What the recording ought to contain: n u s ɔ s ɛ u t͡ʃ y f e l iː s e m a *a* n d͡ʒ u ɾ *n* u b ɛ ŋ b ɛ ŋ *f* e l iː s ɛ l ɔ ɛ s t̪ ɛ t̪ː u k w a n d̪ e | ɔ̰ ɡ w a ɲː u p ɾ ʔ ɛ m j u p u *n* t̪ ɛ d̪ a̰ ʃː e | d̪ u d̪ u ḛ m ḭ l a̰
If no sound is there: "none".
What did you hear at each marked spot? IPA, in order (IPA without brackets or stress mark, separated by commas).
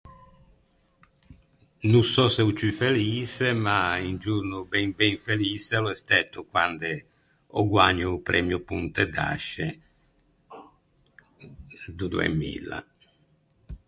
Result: i, n, f, n